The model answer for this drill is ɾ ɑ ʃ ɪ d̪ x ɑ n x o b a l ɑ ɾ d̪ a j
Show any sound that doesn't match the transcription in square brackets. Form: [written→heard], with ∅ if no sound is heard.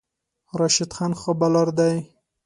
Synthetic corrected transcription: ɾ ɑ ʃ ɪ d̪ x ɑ n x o b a l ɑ ɾ d̪ a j